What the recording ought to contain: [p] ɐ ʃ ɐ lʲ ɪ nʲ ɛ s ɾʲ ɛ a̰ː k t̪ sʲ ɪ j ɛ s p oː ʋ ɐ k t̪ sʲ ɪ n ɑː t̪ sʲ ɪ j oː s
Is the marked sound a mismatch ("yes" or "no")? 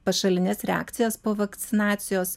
no